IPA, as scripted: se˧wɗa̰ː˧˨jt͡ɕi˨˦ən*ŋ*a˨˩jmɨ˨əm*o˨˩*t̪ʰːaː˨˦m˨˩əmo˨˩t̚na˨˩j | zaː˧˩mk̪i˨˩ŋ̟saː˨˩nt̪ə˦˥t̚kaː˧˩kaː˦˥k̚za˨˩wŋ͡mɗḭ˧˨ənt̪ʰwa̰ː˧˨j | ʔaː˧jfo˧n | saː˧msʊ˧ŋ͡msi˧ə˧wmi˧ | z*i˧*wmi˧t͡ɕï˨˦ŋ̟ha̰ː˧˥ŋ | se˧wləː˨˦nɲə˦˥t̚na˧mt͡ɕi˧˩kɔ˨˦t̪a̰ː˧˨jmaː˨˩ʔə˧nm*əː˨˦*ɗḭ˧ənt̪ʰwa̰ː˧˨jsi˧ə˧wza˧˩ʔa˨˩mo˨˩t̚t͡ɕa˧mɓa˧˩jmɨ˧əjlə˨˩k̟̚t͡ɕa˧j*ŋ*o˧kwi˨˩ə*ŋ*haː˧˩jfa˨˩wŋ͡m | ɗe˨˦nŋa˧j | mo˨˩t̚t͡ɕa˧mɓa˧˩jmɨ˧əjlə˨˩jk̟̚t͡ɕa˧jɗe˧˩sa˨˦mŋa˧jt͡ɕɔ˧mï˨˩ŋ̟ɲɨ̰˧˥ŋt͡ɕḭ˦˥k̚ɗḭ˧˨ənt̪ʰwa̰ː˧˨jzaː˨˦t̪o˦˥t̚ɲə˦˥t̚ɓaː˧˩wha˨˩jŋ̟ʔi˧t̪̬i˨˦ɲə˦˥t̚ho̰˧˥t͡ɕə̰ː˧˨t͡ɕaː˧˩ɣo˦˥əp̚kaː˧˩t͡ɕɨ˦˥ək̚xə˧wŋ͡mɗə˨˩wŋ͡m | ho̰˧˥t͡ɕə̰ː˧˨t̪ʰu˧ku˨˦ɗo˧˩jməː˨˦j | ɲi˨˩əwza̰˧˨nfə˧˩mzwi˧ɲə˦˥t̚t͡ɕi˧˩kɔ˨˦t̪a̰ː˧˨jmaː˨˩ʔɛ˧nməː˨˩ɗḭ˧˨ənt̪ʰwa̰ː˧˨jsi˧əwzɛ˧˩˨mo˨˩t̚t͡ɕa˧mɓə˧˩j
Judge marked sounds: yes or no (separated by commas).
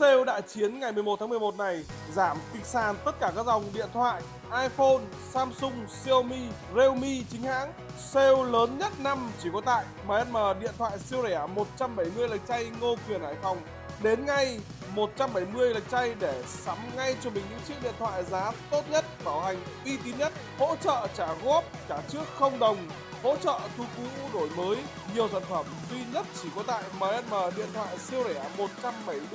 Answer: yes, yes, no, no, yes, no